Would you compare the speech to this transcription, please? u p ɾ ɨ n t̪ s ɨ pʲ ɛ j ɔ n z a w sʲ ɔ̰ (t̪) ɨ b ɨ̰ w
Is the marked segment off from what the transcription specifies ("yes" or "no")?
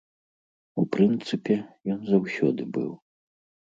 yes